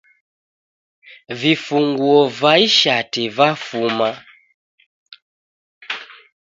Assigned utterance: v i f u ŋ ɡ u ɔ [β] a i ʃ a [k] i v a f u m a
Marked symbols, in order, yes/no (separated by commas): no, no